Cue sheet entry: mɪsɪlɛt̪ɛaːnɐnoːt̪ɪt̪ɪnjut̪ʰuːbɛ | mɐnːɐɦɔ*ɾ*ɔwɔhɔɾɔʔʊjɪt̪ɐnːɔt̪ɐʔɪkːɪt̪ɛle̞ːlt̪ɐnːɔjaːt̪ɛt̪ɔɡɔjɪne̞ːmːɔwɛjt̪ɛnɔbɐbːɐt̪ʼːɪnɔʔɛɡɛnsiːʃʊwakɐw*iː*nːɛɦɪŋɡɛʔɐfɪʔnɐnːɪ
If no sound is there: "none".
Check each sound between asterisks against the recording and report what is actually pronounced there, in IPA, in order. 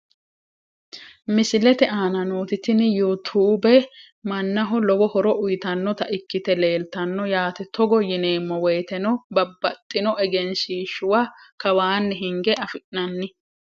l, aː

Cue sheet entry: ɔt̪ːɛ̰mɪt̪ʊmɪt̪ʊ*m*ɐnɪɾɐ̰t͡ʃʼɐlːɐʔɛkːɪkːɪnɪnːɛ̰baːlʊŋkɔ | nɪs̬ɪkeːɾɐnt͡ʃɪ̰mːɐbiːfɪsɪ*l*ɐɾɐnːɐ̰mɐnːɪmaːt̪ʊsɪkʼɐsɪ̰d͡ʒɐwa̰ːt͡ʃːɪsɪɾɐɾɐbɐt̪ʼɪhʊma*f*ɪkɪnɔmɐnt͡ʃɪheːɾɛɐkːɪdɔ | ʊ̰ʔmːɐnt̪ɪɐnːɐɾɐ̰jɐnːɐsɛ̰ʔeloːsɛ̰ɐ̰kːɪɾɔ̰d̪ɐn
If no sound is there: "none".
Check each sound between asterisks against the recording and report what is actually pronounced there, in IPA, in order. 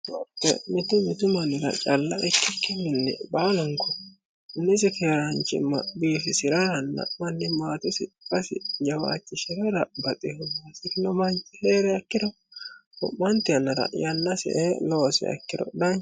m, ɾ, s

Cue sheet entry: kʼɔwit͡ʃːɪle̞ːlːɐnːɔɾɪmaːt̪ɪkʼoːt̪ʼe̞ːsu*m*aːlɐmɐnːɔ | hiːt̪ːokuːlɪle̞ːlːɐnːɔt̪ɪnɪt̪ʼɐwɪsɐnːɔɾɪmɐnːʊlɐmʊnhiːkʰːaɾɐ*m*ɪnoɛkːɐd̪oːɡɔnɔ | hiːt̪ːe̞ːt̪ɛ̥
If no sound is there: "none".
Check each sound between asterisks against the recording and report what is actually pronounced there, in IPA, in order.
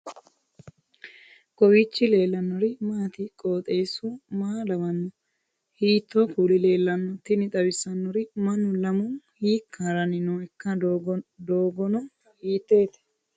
m, n

